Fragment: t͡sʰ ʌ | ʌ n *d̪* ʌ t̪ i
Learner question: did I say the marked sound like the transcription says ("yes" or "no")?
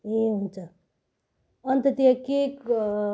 no